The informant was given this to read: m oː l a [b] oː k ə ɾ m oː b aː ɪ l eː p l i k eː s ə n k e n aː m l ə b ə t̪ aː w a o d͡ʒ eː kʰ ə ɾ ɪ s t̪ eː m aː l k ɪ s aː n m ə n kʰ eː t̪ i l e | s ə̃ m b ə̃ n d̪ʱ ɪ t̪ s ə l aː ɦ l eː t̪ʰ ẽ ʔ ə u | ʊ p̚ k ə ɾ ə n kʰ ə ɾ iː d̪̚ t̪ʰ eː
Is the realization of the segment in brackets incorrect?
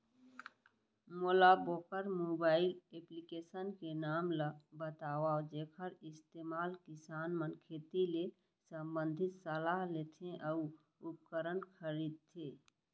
no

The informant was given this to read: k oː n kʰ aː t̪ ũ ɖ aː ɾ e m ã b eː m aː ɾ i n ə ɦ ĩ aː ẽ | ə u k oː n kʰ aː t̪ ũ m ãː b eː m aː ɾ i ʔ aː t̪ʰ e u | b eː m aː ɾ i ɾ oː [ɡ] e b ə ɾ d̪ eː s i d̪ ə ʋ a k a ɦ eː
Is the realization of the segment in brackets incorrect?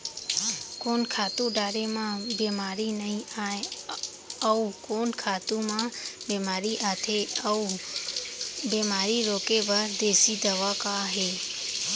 yes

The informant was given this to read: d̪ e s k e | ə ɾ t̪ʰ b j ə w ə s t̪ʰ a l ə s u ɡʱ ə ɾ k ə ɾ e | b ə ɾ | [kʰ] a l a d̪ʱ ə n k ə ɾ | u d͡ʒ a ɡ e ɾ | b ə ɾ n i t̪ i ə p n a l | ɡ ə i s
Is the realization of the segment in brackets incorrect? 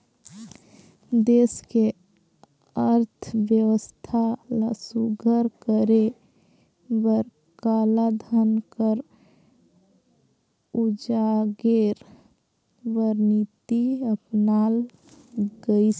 yes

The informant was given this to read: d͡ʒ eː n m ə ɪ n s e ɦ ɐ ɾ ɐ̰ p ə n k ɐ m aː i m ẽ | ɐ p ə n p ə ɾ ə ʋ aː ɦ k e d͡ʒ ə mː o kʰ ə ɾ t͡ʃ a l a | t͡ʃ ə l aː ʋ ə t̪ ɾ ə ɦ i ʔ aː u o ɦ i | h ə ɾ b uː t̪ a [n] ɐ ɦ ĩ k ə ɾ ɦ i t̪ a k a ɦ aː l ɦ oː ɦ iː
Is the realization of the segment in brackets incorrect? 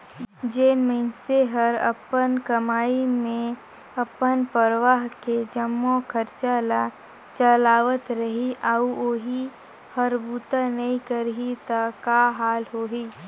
no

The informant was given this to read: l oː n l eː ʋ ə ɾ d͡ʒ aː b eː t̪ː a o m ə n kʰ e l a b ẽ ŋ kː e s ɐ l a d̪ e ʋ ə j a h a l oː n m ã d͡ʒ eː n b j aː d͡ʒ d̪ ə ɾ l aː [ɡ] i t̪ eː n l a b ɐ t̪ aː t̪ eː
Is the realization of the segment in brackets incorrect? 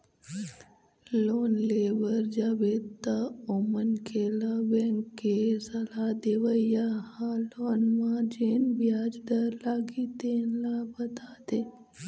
no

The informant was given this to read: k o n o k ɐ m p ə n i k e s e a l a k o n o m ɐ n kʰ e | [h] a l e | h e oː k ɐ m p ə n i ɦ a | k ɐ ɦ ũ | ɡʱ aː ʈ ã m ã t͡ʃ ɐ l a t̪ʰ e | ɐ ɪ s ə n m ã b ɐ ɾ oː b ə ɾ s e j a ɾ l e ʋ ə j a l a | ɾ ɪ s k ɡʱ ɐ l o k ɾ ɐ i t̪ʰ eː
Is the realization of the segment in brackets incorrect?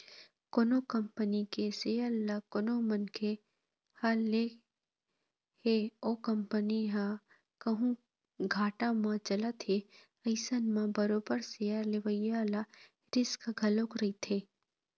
no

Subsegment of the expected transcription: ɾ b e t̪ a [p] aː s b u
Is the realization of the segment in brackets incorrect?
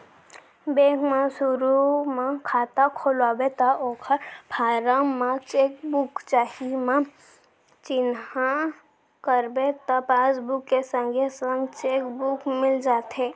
no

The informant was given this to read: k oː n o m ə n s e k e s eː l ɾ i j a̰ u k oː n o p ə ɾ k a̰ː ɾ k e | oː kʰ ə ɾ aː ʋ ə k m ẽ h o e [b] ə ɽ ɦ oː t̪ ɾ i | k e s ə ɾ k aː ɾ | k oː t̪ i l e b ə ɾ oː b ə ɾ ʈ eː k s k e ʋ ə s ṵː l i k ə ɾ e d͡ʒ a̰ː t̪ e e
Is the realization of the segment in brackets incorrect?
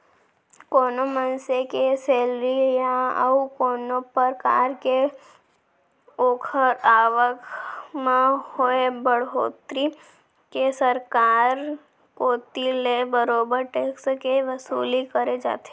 no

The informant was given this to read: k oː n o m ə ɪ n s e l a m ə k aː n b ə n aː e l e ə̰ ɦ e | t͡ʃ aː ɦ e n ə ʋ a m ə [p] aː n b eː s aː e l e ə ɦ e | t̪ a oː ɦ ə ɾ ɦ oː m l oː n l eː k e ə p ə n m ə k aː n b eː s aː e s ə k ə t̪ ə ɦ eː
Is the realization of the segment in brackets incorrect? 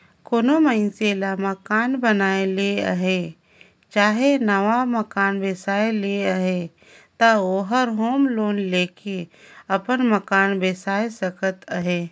yes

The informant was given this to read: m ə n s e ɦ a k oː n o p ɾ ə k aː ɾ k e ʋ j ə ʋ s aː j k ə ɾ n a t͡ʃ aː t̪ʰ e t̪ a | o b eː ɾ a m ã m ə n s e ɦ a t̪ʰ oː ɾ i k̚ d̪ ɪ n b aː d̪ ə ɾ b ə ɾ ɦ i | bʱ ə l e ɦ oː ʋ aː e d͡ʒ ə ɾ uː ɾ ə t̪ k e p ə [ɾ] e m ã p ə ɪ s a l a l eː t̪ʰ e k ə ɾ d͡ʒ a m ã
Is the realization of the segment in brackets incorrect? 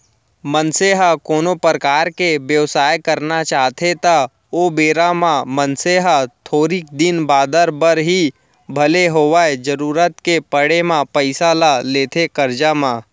yes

